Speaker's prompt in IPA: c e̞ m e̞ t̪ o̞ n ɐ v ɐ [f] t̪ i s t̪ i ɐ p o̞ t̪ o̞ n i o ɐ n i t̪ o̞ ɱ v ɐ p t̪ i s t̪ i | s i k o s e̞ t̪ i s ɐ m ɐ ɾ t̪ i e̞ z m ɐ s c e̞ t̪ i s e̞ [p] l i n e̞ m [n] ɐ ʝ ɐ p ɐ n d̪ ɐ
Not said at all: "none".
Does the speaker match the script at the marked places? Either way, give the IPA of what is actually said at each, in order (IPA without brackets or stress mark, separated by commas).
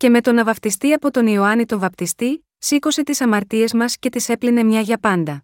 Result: f, p, ɲ